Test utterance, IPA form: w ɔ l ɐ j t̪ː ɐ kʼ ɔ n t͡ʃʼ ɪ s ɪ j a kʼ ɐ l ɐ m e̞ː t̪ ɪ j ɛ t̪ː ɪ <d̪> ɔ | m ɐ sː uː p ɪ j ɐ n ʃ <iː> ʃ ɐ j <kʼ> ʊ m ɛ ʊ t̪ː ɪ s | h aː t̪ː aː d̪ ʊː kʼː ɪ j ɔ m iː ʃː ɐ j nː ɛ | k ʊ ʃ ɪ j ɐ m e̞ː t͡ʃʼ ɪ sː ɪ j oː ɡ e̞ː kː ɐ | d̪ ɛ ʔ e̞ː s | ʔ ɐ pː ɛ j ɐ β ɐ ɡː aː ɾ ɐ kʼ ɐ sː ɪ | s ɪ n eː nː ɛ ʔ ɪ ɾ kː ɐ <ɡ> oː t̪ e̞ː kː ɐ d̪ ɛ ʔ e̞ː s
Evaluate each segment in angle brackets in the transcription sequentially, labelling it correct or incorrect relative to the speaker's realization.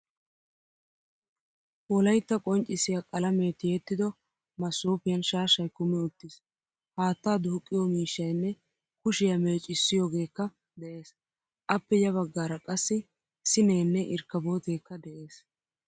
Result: correct, incorrect: aː, incorrect: k, incorrect: b

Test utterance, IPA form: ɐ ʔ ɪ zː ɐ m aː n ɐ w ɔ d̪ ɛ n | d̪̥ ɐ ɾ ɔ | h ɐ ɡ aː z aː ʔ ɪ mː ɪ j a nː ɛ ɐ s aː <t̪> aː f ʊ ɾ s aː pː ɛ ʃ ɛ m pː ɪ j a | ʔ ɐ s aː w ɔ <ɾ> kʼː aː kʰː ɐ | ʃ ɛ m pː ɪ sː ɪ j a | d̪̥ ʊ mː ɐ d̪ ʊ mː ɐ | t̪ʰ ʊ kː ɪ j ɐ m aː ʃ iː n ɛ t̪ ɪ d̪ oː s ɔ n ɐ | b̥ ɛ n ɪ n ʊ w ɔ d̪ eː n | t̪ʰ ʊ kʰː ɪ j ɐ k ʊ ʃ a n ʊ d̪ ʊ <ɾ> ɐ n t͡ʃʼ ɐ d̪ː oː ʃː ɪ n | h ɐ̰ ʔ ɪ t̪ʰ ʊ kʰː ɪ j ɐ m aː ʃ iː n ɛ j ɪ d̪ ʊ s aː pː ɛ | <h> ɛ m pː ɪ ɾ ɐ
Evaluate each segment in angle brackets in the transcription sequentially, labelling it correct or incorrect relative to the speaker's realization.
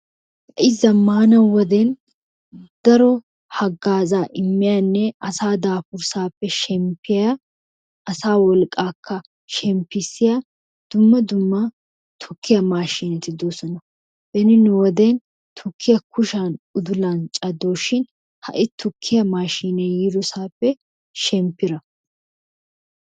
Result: incorrect: d̪, incorrect: l, incorrect: l, incorrect: ʃ

